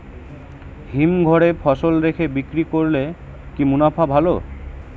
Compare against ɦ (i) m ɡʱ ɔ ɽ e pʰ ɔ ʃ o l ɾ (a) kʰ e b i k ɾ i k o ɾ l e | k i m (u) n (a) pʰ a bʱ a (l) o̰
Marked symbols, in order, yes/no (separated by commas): yes, no, yes, yes, yes